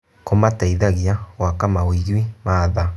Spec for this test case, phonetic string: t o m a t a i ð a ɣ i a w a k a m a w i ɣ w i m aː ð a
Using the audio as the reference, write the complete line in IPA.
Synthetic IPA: k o m a t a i ð a ɣ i a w a k a m a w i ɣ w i m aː ð a